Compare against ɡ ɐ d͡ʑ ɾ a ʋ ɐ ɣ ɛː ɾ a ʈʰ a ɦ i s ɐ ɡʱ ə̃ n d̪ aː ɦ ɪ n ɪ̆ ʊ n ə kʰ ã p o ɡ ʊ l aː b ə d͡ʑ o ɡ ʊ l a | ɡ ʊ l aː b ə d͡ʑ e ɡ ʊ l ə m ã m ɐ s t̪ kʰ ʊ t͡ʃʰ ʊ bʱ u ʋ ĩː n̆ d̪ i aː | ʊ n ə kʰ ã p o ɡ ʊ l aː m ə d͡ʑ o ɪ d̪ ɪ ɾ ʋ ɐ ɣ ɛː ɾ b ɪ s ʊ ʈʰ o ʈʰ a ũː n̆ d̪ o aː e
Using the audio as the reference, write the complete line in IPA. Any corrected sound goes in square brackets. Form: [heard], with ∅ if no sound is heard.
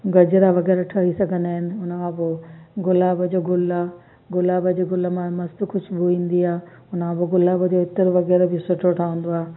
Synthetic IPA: ɡ ɐ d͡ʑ ɾ a ʋ ɐ ɣ ɛː ɾ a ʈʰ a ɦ i s ɐ ɡʱ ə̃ n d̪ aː ɦ ɪ n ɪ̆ ʊ n ə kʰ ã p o ɡ ʊ l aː b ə d͡ʑ o ɡ ʊ l a | ɡ ʊ l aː b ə d͡ʑ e ɡ ʊ l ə m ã m ɐ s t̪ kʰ ʊ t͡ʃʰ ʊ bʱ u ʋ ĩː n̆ d̪ i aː | ʊ n ə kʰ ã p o ɡ ʊ l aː [b] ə d͡ʑ o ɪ [t̪] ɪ ɾ ʋ ɐ ɣ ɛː ɾ b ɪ s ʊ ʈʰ o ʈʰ a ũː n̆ d̪ o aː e

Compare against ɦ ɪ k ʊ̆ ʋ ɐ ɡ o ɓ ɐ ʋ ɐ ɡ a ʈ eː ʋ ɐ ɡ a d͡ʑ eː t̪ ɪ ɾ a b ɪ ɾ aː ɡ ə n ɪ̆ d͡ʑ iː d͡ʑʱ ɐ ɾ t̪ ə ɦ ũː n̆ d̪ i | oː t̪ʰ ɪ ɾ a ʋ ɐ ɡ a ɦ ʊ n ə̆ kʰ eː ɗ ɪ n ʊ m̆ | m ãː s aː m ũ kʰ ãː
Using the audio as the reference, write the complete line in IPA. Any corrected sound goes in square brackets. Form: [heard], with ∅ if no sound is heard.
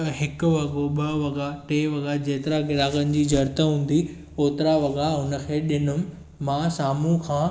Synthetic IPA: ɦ ɪ k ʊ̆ ʋ ɐ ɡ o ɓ ɐ ʋ ɐ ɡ a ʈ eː ʋ ɐ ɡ a d͡ʑ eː t̪ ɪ ɾ a [ɡ] ɪ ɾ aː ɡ ə n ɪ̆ d͡ʑ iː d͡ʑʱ ɐ ɾ t̪ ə ɦ ũː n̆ d̪ i | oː [t̪] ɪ ɾ a ʋ ɐ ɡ a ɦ ʊ n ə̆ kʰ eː ɗ ɪ n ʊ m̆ | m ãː s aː m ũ kʰ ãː

